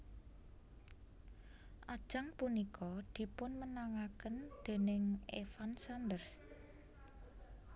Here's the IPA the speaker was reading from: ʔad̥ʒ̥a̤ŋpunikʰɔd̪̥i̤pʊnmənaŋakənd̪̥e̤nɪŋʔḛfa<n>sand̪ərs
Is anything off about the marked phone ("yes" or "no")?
no